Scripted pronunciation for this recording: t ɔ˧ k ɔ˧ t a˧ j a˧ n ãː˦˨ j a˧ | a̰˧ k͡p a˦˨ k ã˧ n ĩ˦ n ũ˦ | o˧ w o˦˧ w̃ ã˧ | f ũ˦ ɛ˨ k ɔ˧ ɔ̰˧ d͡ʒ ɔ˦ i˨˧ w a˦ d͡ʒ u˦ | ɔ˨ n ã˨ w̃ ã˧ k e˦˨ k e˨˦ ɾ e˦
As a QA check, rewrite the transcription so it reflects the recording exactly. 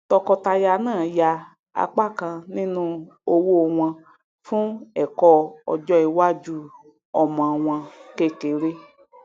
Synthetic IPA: t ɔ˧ k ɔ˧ t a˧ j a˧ n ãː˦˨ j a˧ | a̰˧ k͡p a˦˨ k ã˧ n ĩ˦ n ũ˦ | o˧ w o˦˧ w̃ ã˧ | f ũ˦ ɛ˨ k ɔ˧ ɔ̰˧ d͡ʒ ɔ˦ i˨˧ w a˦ d͡ʒ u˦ | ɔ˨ m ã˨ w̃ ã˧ k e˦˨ k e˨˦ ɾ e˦